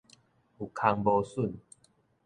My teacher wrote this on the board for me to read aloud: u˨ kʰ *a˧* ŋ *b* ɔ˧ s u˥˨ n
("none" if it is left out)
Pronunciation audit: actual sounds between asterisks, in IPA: a˧, b

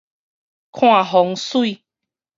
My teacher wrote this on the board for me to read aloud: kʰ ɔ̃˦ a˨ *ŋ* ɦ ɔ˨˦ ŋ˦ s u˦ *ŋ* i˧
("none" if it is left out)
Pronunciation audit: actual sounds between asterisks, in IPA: none, none

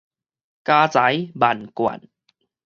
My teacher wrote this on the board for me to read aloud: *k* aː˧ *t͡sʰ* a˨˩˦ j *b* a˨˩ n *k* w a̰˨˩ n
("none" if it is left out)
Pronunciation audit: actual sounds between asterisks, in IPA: k, t͡s, b, k

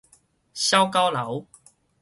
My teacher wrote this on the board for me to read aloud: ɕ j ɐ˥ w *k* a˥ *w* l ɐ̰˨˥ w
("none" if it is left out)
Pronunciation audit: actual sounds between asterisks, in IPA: k, w

